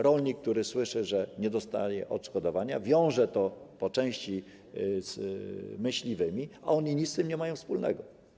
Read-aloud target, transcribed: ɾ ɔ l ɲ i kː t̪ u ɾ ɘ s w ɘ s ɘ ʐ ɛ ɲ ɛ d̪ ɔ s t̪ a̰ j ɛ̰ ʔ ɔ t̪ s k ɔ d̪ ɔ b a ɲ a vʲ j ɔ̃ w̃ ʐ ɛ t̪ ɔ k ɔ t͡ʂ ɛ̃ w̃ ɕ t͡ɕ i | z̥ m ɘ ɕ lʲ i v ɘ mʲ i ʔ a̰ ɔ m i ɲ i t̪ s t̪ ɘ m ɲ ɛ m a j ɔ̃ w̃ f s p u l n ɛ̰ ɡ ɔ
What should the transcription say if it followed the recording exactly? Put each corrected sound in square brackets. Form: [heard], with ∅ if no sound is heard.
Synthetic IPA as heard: ɾ ɔ l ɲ i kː t̪ u ɾ ɘ s w ɘ [ʂ] ɘ ʐ ɛ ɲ ɛ d̪ ɔ s t̪ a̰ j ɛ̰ ʔ ɔ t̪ [ʂ] k ɔ d̪ ɔ [v] a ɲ a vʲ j ɔ̃ w̃ ʐ ɛ t̪ ɔ [p] ɔ t͡ʂ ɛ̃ w̃ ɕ t͡ɕ i | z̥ m ɘ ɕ lʲ i v ɘ mʲ i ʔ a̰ ɔ [ɲ] i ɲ i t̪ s t̪ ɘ m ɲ ɛ m a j ɔ̃ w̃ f s p u l n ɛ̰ ɡ ɔ